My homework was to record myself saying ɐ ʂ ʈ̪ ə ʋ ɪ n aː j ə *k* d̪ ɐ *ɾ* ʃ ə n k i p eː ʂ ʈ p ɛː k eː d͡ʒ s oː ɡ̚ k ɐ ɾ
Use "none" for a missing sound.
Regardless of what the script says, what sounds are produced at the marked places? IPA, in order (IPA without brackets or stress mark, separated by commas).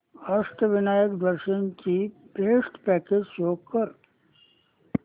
k, ɾ